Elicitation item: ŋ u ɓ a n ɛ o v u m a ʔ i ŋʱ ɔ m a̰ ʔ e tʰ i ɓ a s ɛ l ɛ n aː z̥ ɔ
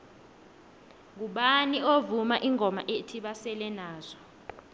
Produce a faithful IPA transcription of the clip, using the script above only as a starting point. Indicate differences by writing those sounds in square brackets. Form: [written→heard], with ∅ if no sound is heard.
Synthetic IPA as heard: ŋ u ɓ a n [ɛ→i] o v u m a ʔ i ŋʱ ɔ m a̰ ʔ e tʰ i ɓ a s ɛ l ɛ n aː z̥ ɔ